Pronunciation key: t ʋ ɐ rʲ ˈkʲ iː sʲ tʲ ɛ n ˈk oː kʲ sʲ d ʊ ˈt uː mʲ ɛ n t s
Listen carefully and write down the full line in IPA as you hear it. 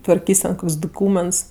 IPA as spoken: t ʋ ɐ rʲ ˈkʲ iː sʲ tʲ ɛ n ˈk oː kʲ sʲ d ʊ ˈk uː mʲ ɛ n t s